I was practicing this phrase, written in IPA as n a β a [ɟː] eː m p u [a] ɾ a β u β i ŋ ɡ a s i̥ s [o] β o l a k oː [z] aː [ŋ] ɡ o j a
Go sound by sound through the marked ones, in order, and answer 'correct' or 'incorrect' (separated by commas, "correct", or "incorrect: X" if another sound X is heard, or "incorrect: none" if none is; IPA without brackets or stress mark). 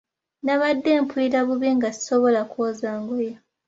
incorrect: dː, incorrect: i, correct, correct, correct